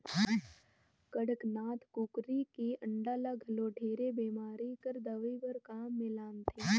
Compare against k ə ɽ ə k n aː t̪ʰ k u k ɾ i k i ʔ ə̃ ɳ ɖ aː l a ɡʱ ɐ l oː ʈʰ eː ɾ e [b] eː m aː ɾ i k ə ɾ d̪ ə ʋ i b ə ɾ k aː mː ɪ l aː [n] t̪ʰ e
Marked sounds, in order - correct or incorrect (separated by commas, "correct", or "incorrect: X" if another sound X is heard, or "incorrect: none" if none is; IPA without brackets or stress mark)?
correct, correct